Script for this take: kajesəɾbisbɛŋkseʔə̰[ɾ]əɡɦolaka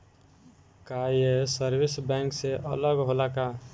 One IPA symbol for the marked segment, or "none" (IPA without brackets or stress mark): l